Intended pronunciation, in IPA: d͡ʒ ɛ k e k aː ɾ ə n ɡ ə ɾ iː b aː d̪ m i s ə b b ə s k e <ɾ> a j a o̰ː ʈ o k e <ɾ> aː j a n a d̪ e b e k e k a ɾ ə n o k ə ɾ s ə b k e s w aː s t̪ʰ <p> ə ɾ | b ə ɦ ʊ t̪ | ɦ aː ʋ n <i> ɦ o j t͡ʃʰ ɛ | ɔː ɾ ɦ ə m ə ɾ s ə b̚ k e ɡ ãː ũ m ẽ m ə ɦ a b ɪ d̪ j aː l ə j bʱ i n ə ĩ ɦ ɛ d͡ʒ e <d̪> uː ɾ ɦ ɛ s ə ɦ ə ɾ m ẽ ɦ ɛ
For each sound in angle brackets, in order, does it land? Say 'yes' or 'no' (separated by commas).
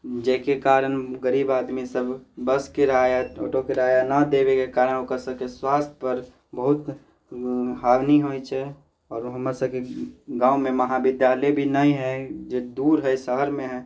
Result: yes, yes, yes, yes, yes